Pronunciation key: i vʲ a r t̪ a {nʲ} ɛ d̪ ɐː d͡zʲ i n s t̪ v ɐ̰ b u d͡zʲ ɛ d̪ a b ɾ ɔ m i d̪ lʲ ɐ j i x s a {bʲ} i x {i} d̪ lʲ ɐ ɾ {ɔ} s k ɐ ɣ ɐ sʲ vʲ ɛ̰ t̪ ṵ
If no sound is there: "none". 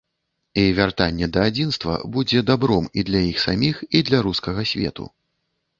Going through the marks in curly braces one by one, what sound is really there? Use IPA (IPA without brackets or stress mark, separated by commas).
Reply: nʲː, mʲ, i, u